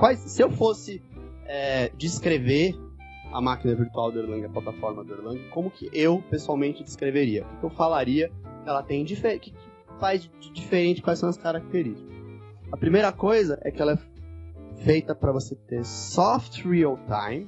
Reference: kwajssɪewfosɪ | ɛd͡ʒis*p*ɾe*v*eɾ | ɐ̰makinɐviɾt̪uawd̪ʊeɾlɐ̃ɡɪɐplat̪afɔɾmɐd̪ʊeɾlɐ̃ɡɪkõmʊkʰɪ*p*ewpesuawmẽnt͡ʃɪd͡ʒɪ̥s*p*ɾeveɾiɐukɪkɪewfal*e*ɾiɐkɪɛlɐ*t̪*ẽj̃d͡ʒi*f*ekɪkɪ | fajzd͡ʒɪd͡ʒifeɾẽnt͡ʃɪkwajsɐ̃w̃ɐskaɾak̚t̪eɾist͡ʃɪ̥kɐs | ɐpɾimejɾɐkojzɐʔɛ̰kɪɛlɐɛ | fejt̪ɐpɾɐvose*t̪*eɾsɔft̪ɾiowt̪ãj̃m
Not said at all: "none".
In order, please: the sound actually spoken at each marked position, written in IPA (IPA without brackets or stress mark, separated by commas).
k, v, ʔ, k, a, t̪, f, t̪